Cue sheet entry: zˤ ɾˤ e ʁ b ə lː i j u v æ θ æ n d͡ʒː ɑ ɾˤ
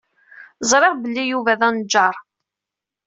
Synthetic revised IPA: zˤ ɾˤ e ʁ b ə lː i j u v æ ð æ n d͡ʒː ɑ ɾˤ